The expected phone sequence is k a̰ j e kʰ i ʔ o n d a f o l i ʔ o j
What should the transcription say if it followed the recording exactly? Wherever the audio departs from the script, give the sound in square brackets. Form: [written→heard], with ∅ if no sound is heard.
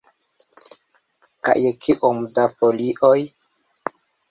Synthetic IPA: k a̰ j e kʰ i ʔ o [n→m] d a f o l i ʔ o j